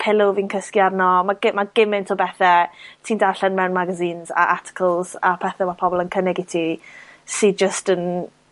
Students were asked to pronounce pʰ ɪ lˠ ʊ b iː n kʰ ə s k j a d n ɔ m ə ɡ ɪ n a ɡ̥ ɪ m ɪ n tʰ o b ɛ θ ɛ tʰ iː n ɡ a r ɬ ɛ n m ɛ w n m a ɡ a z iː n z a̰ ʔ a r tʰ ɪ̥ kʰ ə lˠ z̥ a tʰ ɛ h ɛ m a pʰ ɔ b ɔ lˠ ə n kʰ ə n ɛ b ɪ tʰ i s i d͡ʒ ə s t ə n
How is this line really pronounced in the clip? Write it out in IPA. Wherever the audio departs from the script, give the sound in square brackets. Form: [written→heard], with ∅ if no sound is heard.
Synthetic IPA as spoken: pʰ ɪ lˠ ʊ [b→v] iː n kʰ ə s k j a d n ɔ m [ə→a] ɡ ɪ [n→m] a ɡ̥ ɪ m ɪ n tʰ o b ɛ θ ɛ tʰ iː n [ɡ→d] a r ɬ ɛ n m ɛ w n m a ɡ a z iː n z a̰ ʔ a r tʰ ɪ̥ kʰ ə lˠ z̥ a [tʰ→pʰ] ɛ [h→θ] ɛ m a pʰ ɔ b ɔ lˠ ə n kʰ ə n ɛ [b→ɡ] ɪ tʰ i s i d͡ʒ ə s t ə n